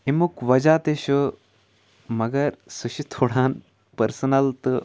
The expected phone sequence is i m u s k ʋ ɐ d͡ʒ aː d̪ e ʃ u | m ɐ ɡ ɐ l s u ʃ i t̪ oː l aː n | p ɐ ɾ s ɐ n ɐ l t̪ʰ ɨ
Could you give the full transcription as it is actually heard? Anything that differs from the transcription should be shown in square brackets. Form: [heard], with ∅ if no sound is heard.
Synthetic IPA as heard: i m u [∅] k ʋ ɐ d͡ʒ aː [t̪] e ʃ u | m ɐ ɡ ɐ [ɾ] s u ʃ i [t̪ʰ] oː [ɽ] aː n | p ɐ ɾ s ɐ n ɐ l [t̪] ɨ